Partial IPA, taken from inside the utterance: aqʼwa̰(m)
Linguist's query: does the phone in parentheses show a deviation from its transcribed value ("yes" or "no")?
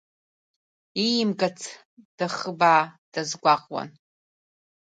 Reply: yes